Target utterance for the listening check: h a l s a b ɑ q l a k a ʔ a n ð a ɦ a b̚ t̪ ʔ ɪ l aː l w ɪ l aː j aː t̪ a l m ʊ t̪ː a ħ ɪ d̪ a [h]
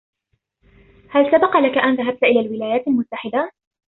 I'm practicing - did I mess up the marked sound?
yes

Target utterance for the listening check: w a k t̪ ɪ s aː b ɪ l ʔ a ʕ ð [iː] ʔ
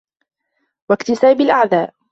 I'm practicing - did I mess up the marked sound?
yes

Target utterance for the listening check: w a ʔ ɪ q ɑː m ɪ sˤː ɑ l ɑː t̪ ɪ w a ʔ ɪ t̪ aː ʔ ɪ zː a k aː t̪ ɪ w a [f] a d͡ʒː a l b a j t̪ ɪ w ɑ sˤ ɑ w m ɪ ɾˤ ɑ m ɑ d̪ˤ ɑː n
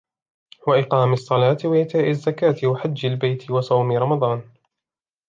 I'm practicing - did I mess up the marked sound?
yes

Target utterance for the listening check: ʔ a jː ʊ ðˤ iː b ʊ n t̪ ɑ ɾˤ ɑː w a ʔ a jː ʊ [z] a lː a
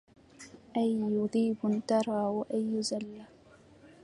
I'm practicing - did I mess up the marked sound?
no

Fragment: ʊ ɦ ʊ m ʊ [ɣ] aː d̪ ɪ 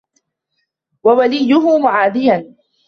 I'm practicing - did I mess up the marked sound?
yes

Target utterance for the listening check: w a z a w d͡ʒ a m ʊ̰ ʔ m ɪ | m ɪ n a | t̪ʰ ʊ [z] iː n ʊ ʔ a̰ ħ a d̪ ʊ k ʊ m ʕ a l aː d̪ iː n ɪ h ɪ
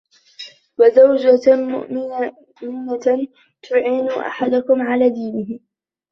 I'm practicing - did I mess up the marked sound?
yes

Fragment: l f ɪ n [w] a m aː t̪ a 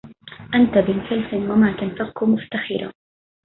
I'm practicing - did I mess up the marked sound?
no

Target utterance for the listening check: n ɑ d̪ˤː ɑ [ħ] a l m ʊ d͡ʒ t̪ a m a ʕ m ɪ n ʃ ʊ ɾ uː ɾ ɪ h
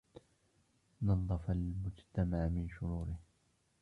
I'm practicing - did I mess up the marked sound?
yes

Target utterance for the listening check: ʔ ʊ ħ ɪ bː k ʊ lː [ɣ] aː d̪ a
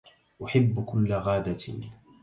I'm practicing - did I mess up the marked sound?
no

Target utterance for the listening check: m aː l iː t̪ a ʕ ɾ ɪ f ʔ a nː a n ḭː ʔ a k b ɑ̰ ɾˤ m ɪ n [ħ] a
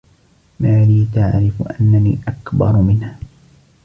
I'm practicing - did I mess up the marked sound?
yes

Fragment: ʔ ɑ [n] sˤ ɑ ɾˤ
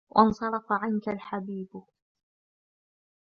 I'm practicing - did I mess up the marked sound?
no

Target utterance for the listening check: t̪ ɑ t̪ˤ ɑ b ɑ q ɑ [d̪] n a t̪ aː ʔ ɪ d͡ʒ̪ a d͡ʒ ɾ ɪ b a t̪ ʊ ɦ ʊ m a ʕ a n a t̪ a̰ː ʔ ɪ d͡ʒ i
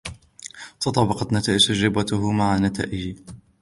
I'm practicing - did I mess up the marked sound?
yes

